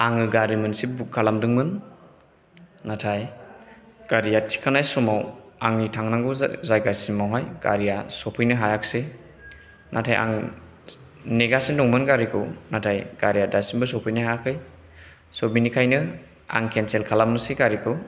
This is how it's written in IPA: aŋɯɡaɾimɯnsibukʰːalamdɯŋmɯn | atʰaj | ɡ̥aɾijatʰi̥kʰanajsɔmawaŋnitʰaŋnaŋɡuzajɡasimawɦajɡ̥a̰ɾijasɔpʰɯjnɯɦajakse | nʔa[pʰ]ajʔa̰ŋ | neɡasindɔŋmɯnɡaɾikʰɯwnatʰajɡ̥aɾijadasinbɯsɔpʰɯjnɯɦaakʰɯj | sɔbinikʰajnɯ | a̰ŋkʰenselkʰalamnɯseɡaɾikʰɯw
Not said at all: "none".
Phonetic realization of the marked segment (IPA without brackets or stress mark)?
tʰ